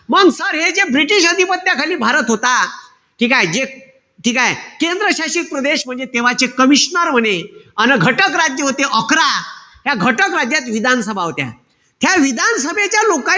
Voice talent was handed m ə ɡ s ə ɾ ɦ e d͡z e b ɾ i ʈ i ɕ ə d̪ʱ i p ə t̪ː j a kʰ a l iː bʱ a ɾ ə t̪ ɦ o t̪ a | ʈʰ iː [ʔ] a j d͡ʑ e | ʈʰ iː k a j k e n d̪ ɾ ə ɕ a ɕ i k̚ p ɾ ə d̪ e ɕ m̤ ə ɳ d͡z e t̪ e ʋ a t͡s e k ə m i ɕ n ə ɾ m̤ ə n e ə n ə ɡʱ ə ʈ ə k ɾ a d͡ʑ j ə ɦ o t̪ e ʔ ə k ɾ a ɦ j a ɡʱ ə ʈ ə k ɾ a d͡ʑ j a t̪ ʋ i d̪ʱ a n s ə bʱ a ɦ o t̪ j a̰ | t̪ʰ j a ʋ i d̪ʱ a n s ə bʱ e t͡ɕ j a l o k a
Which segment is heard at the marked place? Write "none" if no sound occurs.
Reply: k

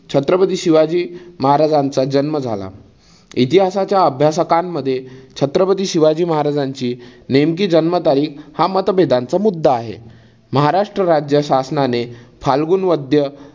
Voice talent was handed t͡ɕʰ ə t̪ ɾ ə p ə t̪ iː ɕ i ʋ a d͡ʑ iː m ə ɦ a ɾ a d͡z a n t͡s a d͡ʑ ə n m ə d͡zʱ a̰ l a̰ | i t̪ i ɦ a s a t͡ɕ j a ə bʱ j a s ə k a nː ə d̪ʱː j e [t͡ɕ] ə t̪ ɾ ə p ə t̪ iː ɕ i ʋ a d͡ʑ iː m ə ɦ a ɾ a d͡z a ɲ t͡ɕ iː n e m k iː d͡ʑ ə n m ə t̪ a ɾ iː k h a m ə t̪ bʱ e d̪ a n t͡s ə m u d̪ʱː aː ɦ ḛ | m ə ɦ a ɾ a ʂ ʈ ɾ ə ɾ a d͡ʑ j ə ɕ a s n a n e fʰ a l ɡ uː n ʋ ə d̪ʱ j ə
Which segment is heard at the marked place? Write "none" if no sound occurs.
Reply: t͡ɕʰ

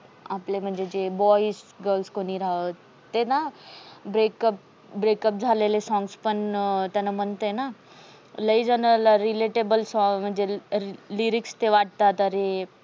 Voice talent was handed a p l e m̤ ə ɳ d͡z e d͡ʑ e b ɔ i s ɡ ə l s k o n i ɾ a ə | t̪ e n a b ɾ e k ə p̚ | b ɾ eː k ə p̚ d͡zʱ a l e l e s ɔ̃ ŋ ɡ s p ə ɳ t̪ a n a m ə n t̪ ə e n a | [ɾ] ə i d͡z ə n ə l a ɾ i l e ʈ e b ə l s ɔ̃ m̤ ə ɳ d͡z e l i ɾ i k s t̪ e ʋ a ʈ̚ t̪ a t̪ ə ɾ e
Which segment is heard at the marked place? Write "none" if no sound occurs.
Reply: l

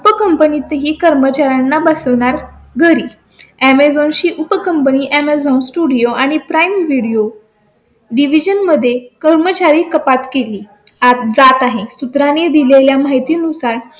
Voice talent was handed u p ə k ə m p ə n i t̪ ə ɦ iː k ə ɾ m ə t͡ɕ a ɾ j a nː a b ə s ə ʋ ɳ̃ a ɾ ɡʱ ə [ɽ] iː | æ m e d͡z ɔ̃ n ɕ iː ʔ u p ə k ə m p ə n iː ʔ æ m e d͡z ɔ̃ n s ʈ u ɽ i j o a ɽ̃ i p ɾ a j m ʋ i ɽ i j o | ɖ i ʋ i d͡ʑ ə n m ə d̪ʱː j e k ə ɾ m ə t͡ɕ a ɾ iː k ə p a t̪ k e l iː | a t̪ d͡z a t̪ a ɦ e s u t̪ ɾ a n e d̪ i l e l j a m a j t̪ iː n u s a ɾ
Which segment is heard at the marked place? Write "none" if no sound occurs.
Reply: ɾ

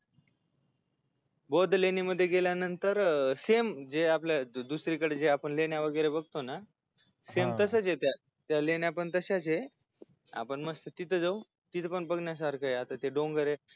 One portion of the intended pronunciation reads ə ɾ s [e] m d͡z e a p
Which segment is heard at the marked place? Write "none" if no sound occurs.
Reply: e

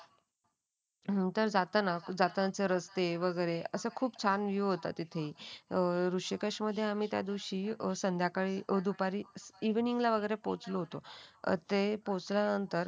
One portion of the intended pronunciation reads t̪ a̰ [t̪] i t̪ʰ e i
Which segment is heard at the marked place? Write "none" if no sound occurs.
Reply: t̪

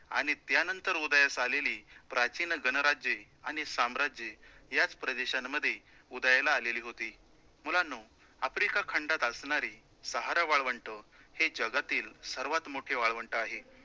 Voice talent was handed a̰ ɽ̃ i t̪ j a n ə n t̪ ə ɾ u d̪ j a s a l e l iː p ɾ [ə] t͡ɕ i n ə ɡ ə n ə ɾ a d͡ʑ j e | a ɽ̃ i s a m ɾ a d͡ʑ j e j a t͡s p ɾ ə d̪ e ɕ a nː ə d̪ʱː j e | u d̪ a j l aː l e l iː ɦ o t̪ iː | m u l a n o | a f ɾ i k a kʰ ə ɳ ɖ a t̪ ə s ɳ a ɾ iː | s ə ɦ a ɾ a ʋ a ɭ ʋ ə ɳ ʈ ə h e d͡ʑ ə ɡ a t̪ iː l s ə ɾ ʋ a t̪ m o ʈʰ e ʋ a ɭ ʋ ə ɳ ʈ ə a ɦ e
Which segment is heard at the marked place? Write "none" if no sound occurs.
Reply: a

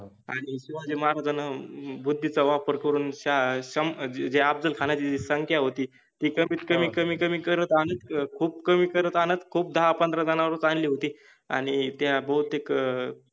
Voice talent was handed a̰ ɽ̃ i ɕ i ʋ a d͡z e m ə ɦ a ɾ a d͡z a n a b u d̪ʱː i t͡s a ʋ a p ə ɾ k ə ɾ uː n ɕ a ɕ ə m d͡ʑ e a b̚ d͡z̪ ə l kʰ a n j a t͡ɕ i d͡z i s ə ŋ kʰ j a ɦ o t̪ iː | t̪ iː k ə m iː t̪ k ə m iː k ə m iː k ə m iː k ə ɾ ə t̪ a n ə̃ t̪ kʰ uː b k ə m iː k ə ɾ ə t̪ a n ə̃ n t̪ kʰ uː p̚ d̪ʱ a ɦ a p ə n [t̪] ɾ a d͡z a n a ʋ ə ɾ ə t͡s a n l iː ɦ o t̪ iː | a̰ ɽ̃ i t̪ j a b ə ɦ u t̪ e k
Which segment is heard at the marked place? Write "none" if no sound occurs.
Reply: d̪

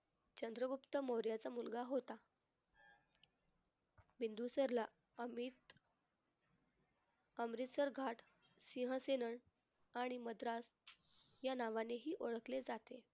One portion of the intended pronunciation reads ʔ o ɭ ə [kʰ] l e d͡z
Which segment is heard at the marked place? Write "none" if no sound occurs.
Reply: k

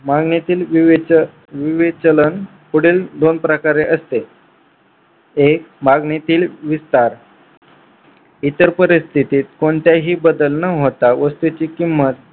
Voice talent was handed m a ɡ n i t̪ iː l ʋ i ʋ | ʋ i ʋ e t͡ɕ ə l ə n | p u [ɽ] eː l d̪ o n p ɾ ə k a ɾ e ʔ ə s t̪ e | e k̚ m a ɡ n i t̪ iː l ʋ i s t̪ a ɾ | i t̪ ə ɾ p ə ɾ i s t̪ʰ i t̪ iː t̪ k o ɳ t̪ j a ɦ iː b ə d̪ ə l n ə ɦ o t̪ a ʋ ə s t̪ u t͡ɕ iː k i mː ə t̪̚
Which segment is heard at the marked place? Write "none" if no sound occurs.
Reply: ɽ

